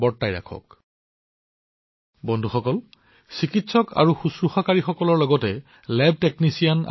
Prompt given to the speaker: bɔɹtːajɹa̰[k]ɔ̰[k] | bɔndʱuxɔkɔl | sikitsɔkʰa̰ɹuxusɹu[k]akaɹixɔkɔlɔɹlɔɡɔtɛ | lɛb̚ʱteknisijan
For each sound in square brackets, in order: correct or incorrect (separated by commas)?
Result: incorrect, correct, incorrect